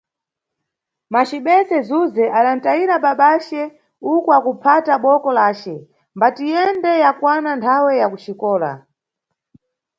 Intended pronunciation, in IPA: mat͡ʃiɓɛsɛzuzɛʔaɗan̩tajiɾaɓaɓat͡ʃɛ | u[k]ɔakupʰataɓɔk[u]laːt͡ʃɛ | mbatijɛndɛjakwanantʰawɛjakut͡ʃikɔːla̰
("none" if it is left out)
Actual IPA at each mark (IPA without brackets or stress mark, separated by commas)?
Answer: k, ɔ